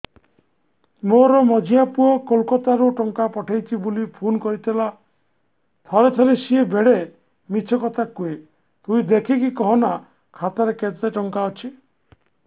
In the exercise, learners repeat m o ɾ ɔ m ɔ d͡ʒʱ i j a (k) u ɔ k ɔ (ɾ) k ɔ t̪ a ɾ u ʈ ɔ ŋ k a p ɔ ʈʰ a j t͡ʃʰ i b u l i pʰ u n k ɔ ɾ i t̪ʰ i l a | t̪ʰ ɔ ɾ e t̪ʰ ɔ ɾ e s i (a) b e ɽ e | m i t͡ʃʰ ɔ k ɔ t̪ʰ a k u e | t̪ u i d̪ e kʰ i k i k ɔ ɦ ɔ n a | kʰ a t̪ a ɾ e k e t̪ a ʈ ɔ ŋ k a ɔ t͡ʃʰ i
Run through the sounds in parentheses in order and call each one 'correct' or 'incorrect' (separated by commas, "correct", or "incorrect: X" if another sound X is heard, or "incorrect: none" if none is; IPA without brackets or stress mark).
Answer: incorrect: p, incorrect: l, incorrect: e